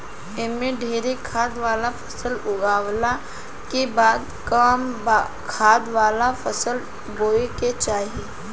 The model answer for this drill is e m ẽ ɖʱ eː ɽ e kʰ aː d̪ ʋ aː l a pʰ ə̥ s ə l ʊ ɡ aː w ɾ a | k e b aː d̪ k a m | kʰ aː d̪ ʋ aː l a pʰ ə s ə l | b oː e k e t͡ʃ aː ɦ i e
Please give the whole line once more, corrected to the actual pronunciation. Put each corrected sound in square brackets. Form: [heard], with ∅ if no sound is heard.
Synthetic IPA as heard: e m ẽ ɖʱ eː [ɾ] e kʰ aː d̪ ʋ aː l a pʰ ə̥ s ə l ʊ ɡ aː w [l] a | k e b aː d̪ k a m | kʰ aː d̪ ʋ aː l a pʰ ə s ə l | b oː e k e t͡ʃ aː ɦ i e